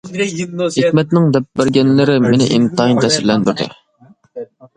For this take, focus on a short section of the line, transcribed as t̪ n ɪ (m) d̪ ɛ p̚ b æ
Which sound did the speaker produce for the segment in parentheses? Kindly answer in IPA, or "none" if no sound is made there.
ŋ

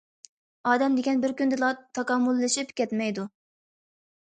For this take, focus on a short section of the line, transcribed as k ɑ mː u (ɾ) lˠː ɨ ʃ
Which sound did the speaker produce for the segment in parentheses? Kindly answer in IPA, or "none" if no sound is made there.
none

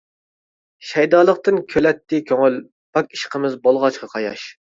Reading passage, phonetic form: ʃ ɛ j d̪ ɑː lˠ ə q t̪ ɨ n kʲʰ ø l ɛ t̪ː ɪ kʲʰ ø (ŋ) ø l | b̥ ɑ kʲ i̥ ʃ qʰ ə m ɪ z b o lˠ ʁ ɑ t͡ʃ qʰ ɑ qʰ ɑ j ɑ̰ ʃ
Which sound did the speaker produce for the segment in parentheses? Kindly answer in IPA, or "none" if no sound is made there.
ŋ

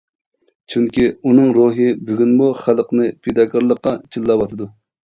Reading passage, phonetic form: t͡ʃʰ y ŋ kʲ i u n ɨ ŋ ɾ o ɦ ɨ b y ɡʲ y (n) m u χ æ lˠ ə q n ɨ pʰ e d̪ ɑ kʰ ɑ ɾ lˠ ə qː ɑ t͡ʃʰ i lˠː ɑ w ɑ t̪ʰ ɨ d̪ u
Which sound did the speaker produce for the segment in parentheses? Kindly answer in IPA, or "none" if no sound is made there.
n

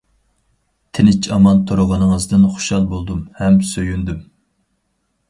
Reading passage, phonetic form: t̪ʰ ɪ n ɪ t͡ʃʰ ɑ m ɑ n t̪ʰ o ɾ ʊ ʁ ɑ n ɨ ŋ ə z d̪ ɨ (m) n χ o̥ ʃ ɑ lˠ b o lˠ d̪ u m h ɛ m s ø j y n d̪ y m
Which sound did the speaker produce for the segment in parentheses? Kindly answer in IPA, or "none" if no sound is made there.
none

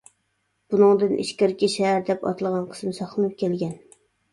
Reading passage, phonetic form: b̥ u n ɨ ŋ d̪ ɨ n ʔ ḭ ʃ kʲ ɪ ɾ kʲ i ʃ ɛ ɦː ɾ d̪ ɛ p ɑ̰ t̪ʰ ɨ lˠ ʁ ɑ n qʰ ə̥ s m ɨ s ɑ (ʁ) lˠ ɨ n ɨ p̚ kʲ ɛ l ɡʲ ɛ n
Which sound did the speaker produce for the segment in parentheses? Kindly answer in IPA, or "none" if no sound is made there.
χ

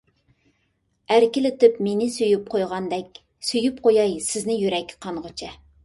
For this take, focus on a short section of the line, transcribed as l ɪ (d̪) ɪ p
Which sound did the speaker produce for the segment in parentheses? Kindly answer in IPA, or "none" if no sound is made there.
t̪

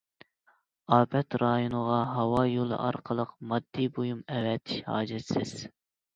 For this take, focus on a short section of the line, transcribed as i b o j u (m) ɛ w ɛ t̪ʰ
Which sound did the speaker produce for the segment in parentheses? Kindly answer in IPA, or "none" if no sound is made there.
m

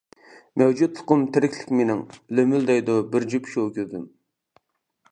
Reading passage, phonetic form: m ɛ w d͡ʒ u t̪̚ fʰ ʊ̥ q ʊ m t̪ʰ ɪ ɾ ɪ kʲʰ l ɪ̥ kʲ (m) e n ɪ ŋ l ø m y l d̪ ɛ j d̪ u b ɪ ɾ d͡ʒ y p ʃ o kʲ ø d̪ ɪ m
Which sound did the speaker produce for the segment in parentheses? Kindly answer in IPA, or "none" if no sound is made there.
m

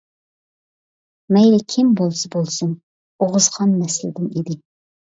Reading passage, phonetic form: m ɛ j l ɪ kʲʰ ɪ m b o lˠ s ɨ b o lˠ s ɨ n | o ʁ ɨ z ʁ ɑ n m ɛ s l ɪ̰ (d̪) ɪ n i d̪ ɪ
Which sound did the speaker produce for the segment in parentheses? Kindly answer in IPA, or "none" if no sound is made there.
d̪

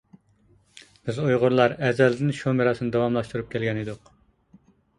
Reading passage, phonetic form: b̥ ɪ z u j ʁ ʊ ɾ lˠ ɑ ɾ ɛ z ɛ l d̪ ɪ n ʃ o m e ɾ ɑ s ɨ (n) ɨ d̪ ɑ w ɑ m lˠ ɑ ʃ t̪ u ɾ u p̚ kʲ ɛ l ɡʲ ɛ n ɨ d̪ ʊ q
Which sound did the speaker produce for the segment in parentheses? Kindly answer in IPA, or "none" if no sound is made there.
n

